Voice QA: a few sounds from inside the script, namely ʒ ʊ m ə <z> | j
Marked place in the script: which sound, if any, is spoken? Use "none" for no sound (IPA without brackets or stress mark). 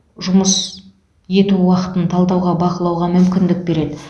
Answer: s